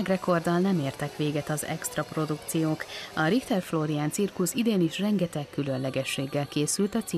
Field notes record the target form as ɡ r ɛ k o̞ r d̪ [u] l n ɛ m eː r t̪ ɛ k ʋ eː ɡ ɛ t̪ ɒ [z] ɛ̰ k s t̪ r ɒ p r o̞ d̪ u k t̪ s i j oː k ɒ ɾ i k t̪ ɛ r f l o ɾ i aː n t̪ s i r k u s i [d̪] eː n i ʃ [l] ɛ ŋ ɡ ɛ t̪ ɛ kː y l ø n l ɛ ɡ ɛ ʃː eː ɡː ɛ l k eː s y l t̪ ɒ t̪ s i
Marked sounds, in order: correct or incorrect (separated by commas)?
incorrect, correct, correct, incorrect